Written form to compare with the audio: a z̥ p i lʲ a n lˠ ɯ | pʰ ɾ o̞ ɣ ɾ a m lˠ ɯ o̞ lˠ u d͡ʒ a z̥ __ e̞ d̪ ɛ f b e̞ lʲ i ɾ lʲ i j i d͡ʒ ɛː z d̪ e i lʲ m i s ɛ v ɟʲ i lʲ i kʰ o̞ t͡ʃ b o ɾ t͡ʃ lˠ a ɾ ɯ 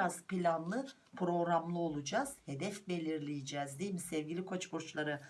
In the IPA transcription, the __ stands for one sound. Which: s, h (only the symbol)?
h